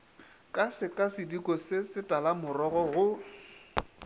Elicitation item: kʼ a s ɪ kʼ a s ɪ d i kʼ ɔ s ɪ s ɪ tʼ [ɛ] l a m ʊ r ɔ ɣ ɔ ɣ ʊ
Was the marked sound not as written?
yes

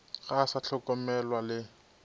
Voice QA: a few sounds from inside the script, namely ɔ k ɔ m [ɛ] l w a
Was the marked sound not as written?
no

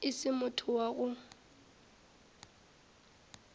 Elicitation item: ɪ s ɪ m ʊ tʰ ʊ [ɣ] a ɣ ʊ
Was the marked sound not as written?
yes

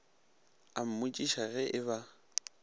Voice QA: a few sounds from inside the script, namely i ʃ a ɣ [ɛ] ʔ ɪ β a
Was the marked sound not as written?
no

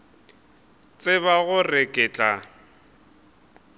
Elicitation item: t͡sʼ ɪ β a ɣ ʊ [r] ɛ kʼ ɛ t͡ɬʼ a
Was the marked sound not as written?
no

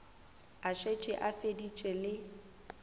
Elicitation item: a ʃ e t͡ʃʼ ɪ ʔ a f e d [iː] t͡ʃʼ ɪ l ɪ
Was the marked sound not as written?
yes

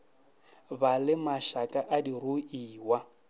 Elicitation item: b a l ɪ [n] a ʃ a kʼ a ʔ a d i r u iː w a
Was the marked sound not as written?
yes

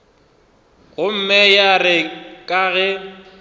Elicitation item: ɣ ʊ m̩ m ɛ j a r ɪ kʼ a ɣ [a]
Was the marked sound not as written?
yes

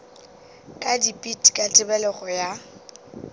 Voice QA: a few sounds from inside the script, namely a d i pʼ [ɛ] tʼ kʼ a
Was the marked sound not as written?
yes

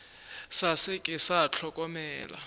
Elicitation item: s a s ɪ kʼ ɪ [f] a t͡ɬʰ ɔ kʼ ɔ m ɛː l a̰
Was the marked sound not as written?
yes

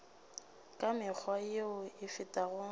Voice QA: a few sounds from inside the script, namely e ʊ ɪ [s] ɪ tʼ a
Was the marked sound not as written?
yes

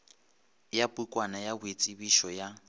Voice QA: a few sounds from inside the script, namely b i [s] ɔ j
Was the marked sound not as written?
yes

